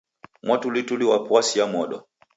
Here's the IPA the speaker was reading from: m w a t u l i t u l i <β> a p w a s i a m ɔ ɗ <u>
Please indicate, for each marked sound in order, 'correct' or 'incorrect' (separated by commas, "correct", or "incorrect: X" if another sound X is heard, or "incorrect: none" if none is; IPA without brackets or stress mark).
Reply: incorrect: w, incorrect: ɔ